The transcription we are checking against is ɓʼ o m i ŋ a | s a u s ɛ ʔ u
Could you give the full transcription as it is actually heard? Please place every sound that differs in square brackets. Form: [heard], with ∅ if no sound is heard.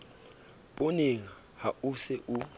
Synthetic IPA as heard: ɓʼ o [n] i ŋ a | [h] a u s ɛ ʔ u